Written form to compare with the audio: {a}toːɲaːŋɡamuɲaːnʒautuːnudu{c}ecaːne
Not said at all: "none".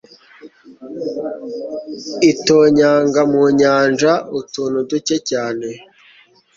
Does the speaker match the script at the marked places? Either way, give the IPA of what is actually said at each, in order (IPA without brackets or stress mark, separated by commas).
i, c